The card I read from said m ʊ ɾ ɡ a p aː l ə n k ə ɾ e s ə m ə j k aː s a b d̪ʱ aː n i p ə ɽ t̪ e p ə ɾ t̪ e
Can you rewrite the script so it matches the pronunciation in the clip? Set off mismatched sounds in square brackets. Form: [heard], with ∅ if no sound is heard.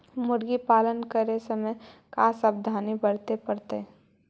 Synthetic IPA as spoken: m ʊ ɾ ɡ [i] p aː l ə n k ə ɾ e s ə m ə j k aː s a b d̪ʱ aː n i [b] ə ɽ t̪ e p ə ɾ t̪ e